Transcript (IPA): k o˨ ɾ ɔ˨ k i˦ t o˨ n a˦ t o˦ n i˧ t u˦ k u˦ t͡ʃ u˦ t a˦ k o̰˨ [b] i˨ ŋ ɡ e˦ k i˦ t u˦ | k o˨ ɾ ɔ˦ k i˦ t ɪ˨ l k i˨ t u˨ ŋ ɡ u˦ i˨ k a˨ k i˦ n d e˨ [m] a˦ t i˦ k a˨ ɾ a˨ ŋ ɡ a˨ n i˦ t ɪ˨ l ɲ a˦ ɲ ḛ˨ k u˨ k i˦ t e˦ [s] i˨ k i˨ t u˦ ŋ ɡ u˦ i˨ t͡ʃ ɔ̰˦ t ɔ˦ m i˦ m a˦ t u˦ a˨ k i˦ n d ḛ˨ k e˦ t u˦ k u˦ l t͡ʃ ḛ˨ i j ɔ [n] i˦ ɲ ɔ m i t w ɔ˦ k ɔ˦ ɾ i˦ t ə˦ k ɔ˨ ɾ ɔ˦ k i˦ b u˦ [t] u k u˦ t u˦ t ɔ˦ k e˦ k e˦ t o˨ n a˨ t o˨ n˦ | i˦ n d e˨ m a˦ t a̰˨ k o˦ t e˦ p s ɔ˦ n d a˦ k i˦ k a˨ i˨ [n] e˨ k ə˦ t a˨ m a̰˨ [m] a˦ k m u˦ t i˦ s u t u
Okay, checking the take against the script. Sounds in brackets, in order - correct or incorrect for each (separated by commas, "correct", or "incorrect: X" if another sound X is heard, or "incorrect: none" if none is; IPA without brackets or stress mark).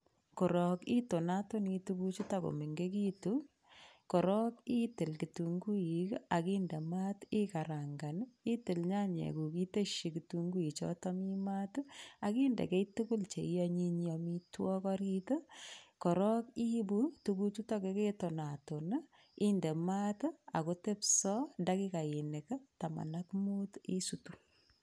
incorrect: m, correct, incorrect: ʃ, incorrect: ɲ, correct, correct, incorrect: n